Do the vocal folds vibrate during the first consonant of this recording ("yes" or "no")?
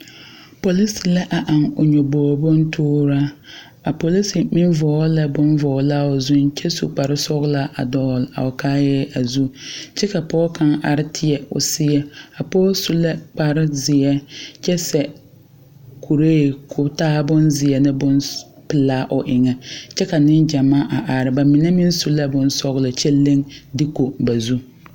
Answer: no